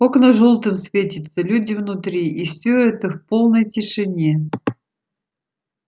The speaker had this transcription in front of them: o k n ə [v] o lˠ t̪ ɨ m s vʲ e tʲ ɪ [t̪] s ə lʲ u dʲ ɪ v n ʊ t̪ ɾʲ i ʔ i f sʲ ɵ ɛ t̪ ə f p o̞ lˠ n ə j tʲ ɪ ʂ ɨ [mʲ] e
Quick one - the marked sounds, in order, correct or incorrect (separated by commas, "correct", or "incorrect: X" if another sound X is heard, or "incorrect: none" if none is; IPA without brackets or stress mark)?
incorrect: ʐ, correct, incorrect: nʲ